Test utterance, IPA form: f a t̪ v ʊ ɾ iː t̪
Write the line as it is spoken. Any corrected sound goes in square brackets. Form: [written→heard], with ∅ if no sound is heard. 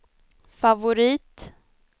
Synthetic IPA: f a [t̪→∅] v ʊ ɾ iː t̪